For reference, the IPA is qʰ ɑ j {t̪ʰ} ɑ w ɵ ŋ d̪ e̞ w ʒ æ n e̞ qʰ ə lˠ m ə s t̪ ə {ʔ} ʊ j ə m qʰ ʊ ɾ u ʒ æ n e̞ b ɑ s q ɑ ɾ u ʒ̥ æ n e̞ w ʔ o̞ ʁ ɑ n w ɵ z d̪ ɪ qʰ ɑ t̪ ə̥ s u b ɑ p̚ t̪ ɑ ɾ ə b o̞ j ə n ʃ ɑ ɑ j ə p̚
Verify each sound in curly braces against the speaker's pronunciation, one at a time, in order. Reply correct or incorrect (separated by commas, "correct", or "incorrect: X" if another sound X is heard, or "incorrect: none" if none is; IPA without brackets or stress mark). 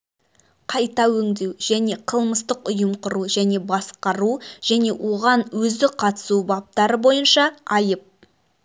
incorrect: t̪, incorrect: q